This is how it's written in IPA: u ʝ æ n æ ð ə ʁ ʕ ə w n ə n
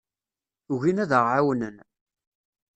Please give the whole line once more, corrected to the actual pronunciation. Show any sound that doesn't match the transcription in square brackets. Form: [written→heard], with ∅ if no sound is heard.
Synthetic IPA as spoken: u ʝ [æ→i] n æ ð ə ʁ ʕ [ə→a] w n ə n